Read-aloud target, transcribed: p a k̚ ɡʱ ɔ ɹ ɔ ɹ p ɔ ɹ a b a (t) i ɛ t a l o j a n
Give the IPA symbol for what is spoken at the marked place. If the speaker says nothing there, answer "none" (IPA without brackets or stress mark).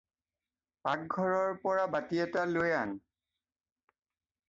t